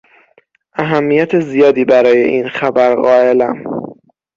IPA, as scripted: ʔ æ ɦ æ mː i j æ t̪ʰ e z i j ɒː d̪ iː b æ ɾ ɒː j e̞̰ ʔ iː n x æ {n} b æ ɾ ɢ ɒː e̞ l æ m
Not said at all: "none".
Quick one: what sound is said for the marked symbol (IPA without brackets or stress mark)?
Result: none